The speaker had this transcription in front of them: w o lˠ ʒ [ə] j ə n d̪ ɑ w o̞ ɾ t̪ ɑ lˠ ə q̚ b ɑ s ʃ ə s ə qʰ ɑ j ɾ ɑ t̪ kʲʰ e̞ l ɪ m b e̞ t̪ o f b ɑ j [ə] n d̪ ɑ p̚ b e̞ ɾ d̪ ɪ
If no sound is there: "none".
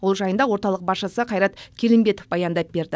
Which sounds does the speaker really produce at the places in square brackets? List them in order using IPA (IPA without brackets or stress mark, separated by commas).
ɑ, ɑ